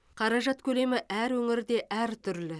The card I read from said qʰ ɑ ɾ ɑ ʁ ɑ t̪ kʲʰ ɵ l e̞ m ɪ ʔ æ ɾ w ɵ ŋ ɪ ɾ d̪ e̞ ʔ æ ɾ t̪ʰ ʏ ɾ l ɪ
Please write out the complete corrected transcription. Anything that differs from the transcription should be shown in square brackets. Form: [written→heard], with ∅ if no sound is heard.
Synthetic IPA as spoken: qʰ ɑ ɾ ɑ [ʁ→ʒ] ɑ t̪ kʲʰ ɵ l e̞ m ɪ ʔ æ ɾ w ɵ ŋ ɪ ɾ d̪ e̞ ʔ æ ɾ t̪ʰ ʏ ɾ l ɪ